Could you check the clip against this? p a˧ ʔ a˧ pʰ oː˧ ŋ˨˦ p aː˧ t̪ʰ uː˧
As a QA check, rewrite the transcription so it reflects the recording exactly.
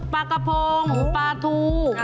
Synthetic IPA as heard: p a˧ k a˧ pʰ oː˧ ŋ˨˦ p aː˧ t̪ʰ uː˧